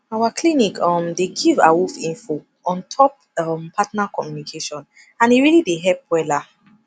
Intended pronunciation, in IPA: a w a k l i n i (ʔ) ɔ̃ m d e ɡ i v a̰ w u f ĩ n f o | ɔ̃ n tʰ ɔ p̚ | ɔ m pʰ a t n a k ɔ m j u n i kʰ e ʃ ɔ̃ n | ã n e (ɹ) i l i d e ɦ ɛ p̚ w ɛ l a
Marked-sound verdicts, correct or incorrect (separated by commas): incorrect, correct